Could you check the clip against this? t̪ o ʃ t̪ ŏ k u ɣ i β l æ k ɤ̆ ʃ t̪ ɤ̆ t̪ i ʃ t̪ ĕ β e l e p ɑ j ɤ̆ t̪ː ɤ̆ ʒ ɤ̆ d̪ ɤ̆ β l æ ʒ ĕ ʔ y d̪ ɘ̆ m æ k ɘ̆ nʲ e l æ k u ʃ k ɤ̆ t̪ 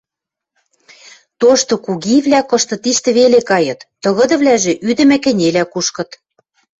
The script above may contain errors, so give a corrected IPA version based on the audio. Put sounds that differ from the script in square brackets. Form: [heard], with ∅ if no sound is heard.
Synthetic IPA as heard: t̪ o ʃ t̪ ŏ k u ɣ i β l æ k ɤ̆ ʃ t̪ ɤ̆ t̪ i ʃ t̪ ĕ β e l e [k] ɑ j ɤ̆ t̪ː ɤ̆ [ɣ] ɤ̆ d̪ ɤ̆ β l æ ʒ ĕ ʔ y d̪ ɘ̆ m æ k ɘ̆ nʲ e l æ k u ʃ k ɤ̆ t̪